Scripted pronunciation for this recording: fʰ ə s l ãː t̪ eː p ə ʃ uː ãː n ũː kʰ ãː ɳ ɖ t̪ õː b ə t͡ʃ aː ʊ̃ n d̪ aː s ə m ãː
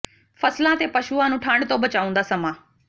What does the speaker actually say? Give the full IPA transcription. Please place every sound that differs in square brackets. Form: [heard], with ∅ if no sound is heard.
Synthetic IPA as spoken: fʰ ə s l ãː t̪ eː p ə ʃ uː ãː n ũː [ʈʰ] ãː ɳ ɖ t̪ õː b ə t͡ʃ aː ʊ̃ n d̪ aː s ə m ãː